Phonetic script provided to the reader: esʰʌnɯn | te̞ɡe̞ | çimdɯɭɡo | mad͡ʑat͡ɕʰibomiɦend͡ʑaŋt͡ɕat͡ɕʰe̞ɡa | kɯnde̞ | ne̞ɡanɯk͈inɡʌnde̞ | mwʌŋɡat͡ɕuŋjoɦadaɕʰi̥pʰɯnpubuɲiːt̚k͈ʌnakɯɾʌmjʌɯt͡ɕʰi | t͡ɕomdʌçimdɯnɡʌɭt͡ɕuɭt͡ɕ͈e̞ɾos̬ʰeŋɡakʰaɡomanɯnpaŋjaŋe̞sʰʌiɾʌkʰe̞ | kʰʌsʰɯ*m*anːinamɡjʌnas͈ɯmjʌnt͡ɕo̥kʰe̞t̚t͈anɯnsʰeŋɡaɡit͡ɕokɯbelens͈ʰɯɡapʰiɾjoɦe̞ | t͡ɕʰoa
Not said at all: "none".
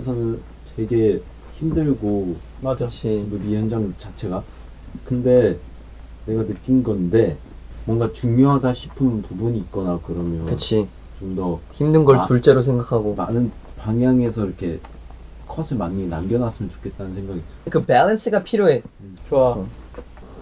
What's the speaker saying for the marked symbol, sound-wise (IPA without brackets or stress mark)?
m